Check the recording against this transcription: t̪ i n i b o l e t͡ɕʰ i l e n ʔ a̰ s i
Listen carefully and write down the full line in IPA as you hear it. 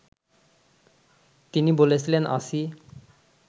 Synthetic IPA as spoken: t̪ i n i b o l e t͡ɕʰ i l e n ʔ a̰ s i